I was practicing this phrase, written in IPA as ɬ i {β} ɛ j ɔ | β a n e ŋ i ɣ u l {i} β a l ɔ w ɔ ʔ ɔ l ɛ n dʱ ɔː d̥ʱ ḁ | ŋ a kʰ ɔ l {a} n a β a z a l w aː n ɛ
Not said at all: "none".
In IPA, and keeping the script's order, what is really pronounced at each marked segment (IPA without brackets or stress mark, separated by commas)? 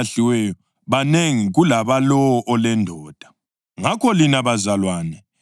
w, a, i